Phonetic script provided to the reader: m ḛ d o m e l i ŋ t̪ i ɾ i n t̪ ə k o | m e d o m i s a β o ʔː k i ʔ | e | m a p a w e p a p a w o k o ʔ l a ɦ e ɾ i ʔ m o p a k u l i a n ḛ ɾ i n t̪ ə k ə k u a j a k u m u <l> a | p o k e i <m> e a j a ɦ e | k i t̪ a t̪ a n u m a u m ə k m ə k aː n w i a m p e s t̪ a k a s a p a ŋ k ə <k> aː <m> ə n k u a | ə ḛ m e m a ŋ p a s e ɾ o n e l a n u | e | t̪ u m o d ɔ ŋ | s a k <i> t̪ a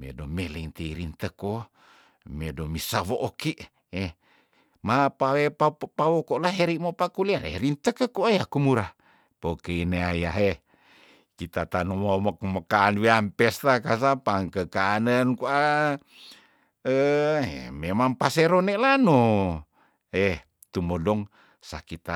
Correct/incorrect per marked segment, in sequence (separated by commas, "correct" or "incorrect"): incorrect, incorrect, correct, incorrect, correct